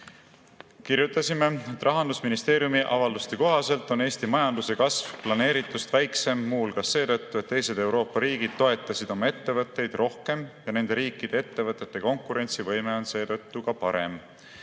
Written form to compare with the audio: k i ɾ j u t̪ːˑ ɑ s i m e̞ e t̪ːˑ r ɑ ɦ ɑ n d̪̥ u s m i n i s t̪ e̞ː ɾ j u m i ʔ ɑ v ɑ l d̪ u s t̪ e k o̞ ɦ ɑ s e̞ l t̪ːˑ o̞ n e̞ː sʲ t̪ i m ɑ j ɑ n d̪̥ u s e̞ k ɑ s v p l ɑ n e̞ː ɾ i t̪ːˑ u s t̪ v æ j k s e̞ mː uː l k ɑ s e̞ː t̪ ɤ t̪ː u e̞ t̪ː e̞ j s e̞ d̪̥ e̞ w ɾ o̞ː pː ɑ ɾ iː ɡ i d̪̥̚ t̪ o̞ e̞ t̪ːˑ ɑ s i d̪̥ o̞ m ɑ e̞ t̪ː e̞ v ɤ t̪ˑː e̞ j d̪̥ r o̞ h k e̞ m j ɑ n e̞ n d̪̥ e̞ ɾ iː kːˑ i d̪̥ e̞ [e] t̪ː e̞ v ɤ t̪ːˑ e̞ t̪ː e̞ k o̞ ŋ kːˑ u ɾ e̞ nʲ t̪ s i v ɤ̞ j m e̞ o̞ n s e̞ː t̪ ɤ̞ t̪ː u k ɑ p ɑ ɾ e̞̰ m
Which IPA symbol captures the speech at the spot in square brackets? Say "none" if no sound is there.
e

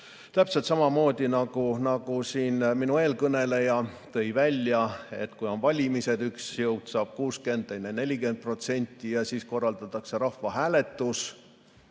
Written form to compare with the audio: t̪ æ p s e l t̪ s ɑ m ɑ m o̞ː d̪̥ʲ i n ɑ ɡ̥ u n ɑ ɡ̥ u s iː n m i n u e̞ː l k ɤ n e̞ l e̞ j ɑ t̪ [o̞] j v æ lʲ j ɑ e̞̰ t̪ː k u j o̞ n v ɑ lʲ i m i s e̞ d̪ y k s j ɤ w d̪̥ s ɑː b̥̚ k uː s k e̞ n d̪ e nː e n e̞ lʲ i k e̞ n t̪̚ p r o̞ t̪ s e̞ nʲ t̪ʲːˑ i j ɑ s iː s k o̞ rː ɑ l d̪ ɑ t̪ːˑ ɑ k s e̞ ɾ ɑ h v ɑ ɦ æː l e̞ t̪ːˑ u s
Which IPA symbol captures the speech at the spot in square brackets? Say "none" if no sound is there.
ɤ̞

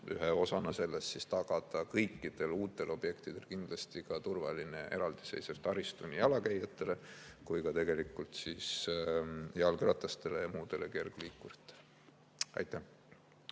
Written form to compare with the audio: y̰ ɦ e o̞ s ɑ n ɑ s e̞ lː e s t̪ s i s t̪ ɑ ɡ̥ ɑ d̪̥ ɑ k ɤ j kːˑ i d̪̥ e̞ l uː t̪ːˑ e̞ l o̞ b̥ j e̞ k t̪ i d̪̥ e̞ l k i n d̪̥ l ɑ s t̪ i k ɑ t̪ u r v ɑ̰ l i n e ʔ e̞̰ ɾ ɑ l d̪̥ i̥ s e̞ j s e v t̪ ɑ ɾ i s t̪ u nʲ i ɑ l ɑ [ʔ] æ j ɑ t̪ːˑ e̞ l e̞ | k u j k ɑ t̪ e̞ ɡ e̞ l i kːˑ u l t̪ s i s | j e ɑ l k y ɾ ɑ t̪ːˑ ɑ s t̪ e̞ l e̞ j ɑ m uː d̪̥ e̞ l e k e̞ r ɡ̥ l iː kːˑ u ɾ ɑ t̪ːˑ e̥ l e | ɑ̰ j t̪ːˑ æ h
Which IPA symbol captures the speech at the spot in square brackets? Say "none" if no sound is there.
k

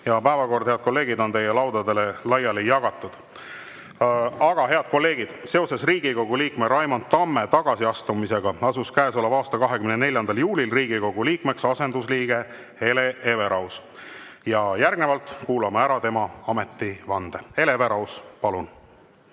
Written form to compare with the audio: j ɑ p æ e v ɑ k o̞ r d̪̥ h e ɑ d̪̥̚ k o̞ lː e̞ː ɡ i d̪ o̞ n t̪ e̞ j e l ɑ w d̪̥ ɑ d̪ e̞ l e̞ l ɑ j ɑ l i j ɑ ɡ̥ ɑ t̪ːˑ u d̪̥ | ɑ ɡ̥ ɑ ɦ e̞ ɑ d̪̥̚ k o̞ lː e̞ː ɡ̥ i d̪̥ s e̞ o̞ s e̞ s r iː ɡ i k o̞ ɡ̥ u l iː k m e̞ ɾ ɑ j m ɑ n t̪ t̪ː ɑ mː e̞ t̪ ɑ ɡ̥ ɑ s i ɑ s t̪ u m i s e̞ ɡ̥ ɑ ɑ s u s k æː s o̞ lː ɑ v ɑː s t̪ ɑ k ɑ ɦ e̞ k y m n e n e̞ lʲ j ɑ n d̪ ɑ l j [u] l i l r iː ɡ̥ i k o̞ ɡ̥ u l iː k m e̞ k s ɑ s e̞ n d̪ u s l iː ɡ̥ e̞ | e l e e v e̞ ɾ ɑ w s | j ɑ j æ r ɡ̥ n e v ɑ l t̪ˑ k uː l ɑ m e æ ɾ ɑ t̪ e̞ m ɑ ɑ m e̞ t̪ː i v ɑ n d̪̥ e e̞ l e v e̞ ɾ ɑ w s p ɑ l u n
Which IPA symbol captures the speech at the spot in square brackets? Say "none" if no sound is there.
uː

